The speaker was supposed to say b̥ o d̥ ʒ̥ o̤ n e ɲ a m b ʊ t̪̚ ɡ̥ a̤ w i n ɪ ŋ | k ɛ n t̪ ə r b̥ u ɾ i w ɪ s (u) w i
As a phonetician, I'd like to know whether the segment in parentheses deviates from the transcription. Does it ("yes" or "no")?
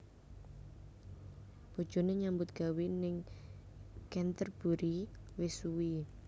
no